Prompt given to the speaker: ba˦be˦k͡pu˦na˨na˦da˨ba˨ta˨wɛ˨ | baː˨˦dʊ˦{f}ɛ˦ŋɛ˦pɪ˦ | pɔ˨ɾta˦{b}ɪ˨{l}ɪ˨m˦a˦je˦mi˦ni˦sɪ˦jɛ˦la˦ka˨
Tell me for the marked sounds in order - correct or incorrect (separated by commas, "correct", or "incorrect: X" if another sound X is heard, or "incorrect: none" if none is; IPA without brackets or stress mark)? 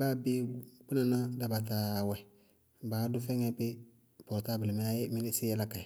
correct, correct, correct